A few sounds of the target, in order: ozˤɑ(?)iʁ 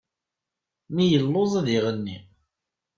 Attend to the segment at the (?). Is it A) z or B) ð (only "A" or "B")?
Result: B